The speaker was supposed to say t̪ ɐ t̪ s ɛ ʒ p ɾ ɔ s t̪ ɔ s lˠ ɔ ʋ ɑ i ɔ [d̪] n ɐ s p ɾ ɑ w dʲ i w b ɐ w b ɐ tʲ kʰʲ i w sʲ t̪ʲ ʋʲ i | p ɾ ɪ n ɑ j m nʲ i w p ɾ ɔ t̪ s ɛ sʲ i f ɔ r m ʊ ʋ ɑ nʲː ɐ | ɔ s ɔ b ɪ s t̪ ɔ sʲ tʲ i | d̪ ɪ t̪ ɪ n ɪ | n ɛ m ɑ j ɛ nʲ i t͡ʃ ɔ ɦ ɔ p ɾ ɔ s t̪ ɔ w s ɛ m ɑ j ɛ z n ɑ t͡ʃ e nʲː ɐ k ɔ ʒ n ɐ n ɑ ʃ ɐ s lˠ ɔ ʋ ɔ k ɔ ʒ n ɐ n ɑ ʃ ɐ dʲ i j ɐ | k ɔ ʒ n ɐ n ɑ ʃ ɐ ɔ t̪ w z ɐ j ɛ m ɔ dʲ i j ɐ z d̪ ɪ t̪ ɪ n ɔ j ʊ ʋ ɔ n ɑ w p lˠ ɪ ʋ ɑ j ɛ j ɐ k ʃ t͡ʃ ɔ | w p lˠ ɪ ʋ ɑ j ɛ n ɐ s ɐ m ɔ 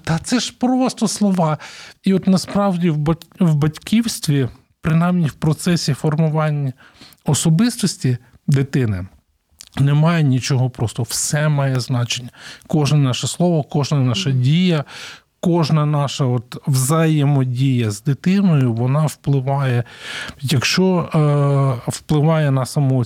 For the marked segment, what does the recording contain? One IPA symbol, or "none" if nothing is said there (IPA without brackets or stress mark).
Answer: t̪